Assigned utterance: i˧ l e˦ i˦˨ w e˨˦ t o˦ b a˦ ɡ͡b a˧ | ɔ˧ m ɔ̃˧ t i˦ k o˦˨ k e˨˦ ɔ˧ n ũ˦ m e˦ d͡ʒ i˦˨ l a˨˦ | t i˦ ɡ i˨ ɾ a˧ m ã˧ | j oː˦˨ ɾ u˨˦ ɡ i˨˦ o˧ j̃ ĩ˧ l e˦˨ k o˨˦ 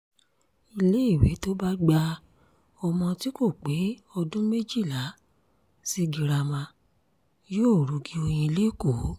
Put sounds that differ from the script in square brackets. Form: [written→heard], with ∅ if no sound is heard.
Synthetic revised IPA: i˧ l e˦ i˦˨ w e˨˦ t o˦ b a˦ ɡ͡b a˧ | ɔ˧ m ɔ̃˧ t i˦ k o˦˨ [k→k͡p] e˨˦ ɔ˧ [n→d] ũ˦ m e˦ d͡ʒ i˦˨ l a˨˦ | [t→s] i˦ ɡ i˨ ɾ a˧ m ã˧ | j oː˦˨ ɾ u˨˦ ɡ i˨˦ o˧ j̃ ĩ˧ l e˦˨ k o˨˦